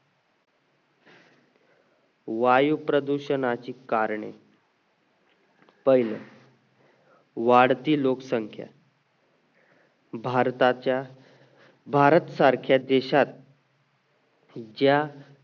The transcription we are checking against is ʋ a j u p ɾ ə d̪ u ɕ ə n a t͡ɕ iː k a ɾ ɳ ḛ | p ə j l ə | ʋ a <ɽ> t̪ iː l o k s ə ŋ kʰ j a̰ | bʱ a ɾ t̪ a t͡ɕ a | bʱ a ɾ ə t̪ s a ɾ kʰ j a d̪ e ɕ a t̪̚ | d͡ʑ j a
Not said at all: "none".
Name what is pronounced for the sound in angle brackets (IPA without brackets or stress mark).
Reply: ɽ